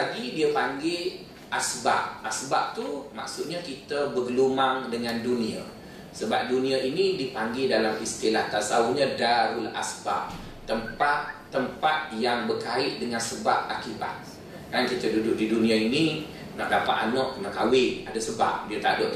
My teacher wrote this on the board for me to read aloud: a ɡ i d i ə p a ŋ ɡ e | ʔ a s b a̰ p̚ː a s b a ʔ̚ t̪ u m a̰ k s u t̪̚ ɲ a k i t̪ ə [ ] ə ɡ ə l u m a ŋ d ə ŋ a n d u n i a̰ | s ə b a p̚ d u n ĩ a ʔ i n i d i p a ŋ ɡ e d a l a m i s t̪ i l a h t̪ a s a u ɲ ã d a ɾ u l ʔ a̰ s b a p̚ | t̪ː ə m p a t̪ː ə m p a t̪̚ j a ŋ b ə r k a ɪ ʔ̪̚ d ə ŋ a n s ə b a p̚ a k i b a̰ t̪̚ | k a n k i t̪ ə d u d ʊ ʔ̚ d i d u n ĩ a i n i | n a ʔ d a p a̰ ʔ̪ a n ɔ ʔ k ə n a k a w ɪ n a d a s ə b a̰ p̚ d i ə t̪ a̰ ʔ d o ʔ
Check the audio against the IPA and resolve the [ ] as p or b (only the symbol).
b